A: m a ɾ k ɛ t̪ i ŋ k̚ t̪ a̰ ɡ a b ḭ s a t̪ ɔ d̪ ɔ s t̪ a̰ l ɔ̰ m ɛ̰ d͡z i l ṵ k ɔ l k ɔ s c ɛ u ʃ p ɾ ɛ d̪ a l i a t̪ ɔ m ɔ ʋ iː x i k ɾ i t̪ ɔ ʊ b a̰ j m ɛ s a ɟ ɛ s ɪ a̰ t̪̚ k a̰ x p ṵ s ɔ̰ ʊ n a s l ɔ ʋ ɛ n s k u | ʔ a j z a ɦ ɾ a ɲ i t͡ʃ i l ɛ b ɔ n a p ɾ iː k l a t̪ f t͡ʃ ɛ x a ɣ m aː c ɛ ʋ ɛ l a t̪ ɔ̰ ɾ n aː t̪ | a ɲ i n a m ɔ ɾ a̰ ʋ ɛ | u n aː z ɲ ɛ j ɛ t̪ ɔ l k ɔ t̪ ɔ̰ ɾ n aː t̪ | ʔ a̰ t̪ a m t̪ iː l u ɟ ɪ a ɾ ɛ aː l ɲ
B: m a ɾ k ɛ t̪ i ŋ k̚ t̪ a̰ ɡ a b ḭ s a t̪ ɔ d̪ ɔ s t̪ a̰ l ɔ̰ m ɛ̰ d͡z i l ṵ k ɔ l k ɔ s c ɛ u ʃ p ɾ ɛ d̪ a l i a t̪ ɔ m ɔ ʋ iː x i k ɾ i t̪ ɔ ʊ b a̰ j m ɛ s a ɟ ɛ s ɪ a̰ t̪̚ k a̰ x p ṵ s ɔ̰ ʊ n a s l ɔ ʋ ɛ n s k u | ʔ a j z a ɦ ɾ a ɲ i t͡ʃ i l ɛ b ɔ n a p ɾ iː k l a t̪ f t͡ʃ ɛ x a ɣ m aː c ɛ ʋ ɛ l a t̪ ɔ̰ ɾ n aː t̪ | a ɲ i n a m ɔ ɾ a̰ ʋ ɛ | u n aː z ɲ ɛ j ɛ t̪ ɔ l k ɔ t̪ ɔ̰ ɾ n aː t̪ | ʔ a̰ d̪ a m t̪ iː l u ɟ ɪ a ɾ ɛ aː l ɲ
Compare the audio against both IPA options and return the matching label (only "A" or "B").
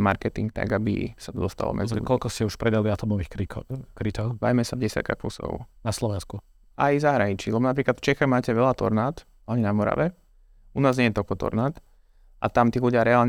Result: A